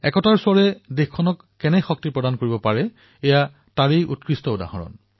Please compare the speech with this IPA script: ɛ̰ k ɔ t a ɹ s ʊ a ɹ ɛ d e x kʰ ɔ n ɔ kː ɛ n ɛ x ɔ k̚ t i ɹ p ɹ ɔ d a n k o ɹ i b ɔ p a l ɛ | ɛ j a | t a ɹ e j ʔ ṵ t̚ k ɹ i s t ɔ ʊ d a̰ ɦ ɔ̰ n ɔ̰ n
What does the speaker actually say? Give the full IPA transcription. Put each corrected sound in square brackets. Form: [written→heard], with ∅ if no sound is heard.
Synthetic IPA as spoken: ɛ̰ k ɔ t a ɹ s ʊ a ɹ ɛ d e x kʰ ɔ n ɔ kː ɛ n ɛ x ɔ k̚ t i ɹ p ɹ ɔ d a n k o ɹ i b ɔ p a [l→ɹ] ɛ | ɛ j a | t a ɹ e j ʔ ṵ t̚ k ɹ i s t ɔ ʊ d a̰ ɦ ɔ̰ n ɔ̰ n

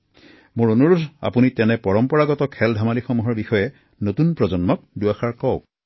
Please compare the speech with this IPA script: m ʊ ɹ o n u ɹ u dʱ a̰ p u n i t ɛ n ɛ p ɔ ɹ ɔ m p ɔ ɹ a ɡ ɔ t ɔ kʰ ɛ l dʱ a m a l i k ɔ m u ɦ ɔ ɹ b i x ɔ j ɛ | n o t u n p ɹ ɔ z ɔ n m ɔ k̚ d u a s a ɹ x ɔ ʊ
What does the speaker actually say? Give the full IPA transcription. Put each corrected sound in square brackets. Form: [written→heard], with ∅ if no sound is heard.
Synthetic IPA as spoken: m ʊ ɹ o n u ɹ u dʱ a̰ p u n i t ɛ n ɛ p ɔ ɹ ɔ m p ɔ ɹ a ɡ ɔ t ɔ kʰ ɛ l dʱ a m a l i [k→x] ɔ m u ɦ ɔ ɹ b i x ɔ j ɛ | n o t u n p ɹ ɔ z ɔ n m ɔ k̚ d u a [s→x] a ɹ [x→k] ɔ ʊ

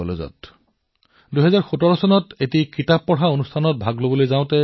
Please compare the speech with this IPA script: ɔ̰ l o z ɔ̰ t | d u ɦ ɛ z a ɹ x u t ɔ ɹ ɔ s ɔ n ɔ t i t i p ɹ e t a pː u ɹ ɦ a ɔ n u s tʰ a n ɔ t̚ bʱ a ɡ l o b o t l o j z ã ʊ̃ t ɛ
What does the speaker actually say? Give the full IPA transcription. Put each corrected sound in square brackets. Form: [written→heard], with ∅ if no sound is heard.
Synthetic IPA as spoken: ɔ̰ l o z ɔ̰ t | d u ɦ ɛ z a ɹ x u t ɔ ɹ ɔ s ɔ n ɔ t [i→e] t i [p→k] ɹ [e→i] t a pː [u→ɔ] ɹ ɦ a [ɔ→o] n u s tʰ a n ɔ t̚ bʱ a ɡ l o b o [t→∅] l o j z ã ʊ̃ t ɛ

